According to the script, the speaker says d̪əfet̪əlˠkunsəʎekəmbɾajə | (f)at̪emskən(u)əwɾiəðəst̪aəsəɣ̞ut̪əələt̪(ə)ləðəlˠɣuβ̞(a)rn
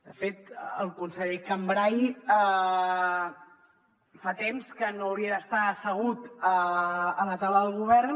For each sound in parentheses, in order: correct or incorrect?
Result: correct, incorrect, incorrect, incorrect

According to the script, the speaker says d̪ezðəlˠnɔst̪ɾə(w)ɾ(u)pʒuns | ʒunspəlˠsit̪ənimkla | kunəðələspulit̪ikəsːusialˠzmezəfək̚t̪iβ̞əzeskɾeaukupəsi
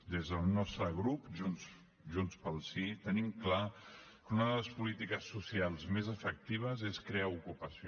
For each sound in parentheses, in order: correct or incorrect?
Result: incorrect, correct

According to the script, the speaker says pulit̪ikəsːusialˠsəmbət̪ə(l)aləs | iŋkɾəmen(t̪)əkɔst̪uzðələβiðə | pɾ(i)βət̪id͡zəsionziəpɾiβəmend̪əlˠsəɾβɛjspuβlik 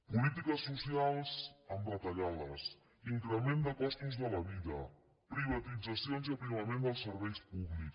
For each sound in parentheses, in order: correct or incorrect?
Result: incorrect, incorrect, correct

